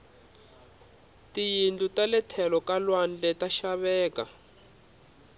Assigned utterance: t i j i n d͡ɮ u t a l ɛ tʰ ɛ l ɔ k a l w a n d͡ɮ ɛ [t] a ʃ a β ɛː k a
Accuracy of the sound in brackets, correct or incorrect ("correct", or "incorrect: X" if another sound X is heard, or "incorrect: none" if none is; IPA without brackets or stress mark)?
correct